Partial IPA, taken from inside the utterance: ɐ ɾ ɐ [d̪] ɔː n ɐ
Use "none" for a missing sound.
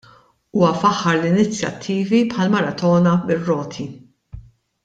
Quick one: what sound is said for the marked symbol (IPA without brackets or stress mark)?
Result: t̪